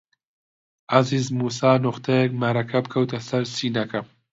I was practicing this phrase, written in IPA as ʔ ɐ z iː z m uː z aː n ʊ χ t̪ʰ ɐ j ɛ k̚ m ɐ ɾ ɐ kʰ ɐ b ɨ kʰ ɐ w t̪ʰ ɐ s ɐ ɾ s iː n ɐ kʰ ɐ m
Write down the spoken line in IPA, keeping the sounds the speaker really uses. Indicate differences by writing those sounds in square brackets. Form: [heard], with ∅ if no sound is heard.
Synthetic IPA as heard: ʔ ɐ z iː z m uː [s] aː n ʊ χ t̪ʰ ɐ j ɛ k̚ m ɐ ɾ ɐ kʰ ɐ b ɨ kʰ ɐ w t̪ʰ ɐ s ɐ ɾ s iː n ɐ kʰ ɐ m